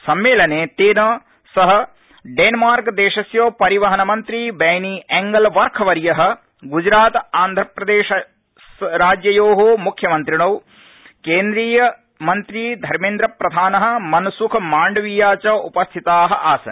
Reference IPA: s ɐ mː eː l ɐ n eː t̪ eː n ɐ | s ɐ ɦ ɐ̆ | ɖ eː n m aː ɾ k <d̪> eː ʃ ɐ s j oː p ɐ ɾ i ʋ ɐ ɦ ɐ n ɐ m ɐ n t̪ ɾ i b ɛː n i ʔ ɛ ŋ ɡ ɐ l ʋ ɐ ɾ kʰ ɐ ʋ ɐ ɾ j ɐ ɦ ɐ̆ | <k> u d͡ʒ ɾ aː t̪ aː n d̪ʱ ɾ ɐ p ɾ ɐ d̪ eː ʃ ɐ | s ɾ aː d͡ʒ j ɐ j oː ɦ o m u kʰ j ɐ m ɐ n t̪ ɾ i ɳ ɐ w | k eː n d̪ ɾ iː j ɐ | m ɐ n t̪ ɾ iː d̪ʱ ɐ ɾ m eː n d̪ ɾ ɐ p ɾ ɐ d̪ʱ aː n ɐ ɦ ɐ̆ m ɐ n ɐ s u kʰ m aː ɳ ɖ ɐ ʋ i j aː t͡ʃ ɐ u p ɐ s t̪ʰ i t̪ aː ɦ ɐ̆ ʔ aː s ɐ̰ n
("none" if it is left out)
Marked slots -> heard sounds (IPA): d̪, ɡ

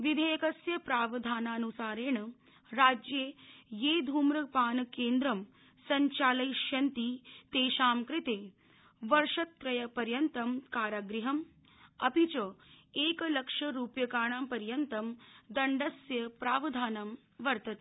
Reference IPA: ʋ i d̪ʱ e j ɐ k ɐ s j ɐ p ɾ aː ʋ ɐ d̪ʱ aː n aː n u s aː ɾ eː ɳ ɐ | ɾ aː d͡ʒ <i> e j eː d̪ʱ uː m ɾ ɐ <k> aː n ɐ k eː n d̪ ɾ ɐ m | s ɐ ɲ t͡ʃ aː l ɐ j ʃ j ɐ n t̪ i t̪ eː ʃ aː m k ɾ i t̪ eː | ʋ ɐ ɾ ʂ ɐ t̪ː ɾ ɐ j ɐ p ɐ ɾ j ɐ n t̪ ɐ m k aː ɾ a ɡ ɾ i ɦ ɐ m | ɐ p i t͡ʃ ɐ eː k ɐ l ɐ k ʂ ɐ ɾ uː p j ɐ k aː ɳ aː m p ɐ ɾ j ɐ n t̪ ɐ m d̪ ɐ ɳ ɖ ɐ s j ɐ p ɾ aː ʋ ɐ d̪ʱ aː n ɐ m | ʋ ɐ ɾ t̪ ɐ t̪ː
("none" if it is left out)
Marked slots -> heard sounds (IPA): j, p

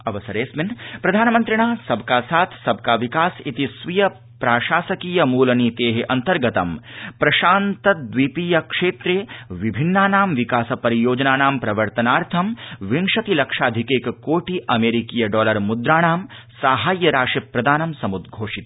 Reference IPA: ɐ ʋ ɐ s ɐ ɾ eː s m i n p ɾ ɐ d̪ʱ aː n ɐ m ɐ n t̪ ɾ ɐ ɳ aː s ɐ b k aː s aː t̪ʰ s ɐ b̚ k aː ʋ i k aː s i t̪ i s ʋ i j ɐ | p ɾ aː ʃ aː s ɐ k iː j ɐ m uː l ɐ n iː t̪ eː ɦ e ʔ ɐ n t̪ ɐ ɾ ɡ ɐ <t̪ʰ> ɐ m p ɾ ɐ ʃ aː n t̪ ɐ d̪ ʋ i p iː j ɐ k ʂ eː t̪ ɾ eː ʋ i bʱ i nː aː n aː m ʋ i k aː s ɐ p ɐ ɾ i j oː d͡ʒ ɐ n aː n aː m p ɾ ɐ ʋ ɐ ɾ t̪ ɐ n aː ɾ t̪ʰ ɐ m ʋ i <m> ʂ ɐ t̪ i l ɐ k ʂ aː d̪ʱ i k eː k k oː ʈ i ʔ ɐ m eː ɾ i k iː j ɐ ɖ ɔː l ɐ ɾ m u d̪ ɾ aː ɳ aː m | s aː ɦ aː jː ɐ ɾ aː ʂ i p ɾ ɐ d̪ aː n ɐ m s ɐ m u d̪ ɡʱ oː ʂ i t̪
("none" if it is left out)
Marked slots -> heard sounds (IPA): t̪, ŋ

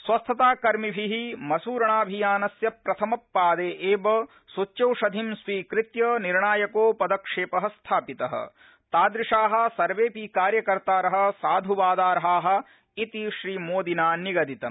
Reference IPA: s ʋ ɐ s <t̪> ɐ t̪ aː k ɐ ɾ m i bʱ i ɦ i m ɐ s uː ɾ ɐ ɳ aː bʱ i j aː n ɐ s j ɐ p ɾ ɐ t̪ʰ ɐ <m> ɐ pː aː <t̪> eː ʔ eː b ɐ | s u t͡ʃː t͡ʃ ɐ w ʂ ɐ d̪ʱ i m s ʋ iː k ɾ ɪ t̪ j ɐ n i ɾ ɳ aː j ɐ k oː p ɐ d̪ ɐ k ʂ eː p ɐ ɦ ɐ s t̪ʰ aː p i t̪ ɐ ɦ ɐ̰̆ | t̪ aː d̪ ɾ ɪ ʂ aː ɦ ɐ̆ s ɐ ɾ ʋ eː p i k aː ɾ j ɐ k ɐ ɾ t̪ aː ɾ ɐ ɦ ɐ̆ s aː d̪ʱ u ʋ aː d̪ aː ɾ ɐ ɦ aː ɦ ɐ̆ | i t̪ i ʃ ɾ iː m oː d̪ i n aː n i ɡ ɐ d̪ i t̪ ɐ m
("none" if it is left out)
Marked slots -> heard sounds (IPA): t̪ʰ, m, d̪

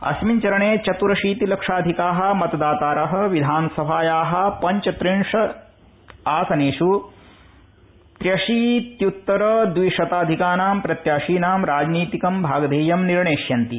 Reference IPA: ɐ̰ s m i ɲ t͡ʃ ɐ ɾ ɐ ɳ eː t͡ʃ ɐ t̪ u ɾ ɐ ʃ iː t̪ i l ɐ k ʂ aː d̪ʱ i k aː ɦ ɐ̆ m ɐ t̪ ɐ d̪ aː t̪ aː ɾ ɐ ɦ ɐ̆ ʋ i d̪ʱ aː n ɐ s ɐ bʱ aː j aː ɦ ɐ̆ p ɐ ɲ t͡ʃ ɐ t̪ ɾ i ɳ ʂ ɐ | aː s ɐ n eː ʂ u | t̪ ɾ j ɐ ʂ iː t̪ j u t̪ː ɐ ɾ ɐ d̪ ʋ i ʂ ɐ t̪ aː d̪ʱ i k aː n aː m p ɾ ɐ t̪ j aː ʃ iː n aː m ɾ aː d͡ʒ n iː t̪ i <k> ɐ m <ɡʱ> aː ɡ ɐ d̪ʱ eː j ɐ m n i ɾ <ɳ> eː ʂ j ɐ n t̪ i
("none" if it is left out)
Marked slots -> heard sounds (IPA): k, bʱ, ɳ

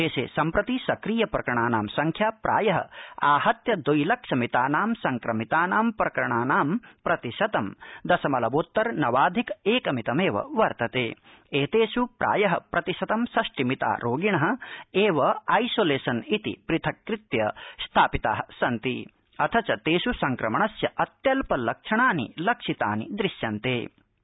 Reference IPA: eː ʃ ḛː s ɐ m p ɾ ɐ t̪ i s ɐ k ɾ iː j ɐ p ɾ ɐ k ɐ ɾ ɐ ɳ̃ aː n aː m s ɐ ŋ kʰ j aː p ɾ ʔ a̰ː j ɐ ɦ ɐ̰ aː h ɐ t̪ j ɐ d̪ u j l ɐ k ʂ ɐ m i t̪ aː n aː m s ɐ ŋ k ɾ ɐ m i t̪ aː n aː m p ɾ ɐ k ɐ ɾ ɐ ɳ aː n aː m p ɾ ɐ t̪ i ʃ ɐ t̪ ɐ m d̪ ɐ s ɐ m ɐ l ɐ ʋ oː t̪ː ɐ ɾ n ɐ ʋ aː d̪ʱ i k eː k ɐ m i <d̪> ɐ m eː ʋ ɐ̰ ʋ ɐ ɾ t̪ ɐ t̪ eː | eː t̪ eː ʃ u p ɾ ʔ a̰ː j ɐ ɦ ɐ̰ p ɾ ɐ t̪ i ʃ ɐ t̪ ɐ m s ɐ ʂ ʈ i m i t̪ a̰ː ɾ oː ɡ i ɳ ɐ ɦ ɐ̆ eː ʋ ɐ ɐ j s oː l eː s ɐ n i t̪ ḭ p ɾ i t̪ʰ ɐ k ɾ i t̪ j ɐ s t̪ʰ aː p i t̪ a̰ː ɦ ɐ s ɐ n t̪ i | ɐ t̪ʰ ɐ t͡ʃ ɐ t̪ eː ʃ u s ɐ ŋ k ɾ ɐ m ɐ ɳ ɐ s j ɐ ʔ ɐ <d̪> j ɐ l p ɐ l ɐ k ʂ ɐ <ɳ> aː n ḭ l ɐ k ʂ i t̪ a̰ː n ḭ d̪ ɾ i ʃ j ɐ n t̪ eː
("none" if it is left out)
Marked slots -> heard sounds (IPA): t̪, t̪, ɳ

